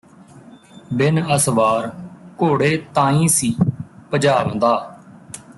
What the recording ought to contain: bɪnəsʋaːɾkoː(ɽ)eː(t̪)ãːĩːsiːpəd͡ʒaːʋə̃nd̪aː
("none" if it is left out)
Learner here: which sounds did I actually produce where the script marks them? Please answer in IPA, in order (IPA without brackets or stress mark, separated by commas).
ɽ, t̪